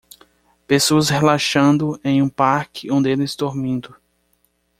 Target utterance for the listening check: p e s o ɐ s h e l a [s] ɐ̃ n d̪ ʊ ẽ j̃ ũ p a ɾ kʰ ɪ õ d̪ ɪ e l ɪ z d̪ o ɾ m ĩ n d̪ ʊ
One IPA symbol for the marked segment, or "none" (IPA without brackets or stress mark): ʃ